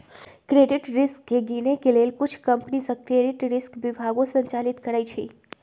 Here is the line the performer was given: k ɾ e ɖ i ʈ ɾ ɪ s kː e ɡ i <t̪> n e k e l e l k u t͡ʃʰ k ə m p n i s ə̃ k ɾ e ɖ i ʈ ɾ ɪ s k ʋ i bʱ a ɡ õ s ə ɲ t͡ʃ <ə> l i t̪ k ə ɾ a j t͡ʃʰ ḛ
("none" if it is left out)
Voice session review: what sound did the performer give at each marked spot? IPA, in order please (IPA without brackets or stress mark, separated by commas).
none, a